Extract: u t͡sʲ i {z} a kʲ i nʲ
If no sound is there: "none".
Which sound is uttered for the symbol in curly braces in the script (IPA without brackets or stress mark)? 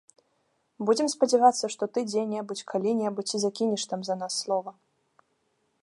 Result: z